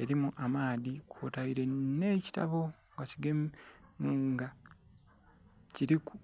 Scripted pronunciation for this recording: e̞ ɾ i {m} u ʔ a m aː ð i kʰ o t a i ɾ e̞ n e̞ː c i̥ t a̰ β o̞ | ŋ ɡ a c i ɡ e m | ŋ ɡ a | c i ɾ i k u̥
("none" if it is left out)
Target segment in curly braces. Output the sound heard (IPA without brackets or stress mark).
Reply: m